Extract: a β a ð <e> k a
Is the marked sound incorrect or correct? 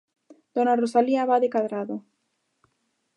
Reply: correct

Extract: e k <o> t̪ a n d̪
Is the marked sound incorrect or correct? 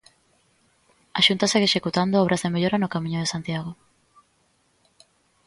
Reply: incorrect: u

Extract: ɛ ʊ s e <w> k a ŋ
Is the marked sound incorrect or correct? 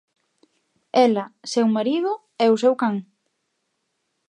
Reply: correct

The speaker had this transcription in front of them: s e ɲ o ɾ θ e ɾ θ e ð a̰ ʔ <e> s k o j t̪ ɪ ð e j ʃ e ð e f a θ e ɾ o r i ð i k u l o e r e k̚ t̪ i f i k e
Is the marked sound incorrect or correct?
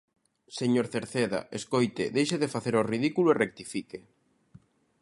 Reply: correct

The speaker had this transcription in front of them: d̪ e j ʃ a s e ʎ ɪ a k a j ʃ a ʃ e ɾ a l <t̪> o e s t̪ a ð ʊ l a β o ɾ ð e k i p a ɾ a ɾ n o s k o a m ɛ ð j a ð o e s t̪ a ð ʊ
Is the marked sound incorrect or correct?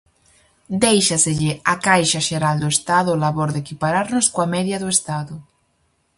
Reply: incorrect: d̪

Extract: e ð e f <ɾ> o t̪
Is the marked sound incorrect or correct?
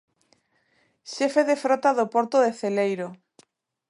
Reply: correct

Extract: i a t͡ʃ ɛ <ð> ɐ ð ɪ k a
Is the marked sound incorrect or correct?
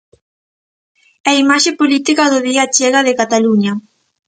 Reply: incorrect: ɣ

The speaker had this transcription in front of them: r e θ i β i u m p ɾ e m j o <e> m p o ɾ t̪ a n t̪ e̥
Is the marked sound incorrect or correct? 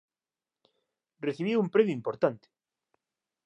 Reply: incorrect: i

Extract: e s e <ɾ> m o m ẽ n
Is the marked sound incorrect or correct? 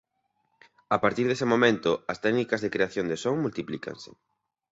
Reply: incorrect: none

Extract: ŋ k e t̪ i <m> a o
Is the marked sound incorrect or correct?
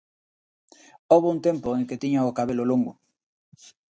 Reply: incorrect: ɲ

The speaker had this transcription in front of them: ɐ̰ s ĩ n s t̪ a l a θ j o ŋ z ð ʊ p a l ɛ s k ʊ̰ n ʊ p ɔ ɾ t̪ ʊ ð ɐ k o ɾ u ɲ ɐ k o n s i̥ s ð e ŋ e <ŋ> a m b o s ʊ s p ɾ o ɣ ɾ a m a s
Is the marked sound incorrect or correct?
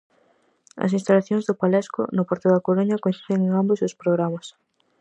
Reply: correct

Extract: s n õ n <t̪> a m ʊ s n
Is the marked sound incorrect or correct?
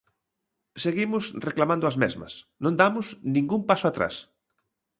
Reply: incorrect: d̪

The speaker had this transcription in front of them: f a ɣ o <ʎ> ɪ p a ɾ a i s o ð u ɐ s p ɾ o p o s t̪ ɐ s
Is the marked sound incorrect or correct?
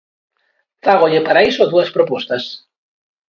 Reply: correct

